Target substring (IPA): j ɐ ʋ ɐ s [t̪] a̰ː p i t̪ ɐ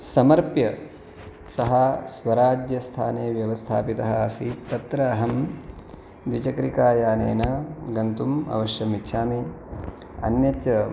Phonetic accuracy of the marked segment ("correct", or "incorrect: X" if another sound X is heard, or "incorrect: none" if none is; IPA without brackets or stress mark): incorrect: t̪ʰ